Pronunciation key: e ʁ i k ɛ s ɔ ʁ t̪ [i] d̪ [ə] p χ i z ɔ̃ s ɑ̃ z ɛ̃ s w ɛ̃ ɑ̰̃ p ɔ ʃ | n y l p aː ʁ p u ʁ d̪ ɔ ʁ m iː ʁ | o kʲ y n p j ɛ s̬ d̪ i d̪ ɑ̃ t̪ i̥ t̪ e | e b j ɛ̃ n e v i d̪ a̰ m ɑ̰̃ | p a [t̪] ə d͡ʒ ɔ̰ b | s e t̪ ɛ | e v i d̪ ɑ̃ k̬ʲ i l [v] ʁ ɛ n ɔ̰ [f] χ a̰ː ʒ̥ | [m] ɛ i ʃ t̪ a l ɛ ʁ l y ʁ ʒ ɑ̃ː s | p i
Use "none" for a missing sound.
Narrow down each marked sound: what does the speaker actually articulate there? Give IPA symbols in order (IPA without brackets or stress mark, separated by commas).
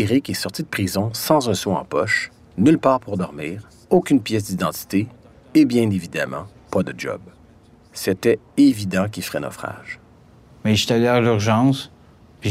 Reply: i, ə, d̪, f, f, m